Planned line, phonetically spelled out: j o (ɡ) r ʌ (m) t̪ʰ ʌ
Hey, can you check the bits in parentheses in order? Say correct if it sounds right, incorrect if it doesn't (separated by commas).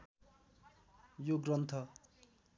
correct, incorrect